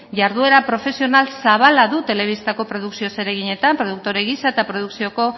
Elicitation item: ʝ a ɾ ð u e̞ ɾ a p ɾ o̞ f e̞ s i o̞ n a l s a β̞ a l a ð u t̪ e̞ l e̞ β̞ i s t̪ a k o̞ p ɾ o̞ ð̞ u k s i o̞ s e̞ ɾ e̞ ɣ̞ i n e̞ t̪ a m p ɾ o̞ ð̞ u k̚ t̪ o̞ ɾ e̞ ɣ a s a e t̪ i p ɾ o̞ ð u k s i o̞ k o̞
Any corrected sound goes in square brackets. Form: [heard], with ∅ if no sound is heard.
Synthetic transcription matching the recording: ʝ a ɾ ð u e̞ ɾ a p ɾ o̞ f e̞ s i o̞ n a l s a β̞ a l a ð u t̪ e̞ l e̞ β̞ i s t̪ a k o̞ p ɾ o̞ ð̞ u k s i o̞ s e̞ ɾ e̞ ɣ̞ i [ɲ] e̞ t̪ a m p ɾ o̞ ð̞ u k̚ t̪ o̞ ɾ e̞ ɣ [i] s a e t̪ [a] p ɾ o̞ ð u k s i o̞ k o̞